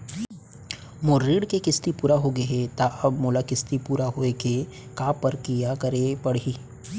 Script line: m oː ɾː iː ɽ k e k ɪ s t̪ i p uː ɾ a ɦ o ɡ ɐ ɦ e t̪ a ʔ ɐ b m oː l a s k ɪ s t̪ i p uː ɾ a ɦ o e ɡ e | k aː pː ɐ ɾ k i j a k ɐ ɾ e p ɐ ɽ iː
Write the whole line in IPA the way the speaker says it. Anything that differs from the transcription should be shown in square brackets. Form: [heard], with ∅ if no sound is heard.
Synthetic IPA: m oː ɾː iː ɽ k e k ɪ s t̪ i p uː ɾ a ɦ o ɡ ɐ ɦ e t̪ a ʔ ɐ b m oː l a [∅] k ɪ s t̪ i p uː ɾ a ɦ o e [k] e | k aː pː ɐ ɾ k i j a k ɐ ɾ e p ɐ ɽ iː